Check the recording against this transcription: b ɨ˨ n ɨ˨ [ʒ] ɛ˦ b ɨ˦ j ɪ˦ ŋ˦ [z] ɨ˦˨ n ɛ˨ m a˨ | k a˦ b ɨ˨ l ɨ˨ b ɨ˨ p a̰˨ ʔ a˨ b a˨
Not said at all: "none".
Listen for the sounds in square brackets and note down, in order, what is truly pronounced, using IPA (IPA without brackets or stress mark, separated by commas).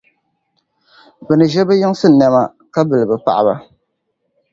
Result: ʒ, s